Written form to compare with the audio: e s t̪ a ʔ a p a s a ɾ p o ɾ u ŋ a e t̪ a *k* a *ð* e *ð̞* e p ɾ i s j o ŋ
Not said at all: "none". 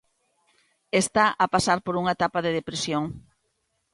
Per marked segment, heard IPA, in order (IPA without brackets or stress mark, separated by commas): p, ð, ð̞